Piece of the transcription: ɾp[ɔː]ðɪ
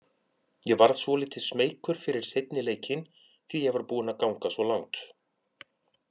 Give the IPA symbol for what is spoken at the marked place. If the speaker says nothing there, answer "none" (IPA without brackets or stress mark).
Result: uː